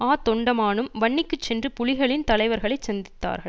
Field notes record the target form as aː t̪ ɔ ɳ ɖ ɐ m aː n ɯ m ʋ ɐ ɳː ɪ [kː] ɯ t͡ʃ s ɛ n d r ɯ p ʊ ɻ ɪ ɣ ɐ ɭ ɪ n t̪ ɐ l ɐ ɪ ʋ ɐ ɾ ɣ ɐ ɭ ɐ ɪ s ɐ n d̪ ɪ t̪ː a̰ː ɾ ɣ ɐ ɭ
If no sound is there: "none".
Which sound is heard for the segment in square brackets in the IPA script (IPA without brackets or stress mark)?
kː